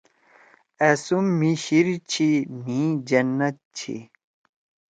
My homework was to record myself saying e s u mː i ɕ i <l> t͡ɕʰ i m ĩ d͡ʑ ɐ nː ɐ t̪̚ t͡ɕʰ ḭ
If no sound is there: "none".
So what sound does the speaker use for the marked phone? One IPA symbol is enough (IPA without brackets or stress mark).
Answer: ɾ